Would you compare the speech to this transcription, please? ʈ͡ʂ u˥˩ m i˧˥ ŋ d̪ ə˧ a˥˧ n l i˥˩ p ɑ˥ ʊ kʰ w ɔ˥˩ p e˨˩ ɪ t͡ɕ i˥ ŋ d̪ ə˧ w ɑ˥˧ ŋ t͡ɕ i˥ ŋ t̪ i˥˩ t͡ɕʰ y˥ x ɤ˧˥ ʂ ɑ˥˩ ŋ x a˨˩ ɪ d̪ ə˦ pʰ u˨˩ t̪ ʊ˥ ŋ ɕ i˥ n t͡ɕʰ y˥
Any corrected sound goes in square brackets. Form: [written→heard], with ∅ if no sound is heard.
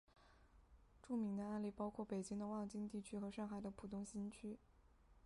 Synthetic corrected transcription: ʈ͡ʂ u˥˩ m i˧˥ ŋ d̪ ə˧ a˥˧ n l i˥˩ p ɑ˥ ʊ kʰ w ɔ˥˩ p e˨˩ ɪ t͡ɕ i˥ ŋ d̪ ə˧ w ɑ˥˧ ŋ t͡ɕ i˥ ŋ t̪ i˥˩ t͡ɕʰ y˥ x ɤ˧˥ ʂ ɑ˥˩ ŋ x a˨˩ ɪ d̪ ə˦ pʰ u˨˩ t̪ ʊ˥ ŋ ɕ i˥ n t͡ɕʰ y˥